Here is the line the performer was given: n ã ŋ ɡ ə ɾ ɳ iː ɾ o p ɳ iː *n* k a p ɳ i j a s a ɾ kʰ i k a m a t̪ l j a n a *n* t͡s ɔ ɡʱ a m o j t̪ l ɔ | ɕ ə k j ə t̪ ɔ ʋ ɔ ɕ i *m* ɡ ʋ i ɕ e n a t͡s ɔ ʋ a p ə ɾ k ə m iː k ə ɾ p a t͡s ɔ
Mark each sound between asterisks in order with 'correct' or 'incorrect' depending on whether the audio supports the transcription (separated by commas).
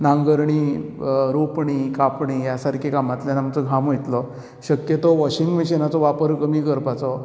incorrect, incorrect, incorrect